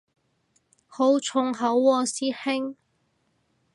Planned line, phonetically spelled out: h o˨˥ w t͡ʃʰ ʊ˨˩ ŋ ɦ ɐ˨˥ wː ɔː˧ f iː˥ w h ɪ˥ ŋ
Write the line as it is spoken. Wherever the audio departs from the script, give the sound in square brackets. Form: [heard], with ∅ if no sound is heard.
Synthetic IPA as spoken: h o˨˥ w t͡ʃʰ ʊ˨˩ ŋ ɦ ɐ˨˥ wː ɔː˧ [s] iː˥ [∅] h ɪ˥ ŋ